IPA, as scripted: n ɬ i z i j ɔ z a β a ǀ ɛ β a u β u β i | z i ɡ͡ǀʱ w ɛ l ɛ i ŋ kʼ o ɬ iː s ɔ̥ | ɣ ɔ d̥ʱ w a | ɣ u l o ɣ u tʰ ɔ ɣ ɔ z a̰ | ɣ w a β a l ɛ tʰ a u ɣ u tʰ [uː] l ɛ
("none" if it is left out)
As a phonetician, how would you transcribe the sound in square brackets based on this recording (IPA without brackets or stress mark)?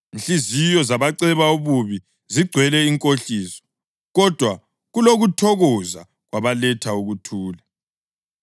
uː